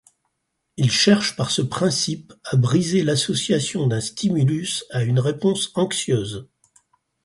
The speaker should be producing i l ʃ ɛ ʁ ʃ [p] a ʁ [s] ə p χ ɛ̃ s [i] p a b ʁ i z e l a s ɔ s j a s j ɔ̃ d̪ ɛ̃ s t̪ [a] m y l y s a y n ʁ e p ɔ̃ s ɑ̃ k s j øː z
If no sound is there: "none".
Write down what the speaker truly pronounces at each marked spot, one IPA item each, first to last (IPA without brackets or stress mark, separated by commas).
p, s, i, i